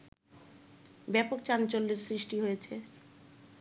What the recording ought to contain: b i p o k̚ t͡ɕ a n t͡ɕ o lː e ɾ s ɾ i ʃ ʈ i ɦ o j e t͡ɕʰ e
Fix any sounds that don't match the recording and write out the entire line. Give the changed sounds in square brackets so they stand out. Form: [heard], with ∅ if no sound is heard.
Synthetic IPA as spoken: b [ɛ] p o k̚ t͡ɕ a n t͡ɕ o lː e ɾ s ɾ i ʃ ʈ i ɦ o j e t͡ɕʰ e